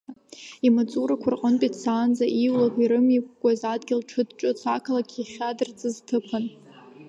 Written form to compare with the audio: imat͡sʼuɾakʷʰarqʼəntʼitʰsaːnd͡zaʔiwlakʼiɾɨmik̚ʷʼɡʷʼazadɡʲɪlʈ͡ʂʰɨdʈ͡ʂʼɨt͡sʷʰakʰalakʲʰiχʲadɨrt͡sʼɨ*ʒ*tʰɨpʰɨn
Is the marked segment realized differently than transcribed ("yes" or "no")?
yes